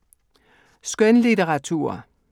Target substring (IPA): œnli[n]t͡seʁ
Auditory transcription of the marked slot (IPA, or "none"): none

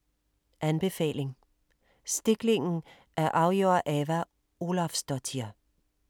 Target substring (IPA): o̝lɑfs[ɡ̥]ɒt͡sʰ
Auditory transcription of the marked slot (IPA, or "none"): d̥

